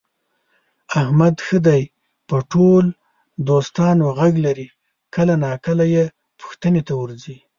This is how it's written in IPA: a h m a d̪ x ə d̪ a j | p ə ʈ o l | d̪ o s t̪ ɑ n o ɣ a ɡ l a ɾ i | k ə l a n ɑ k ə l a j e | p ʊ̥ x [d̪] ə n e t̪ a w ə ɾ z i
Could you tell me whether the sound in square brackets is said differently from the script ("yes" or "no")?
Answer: yes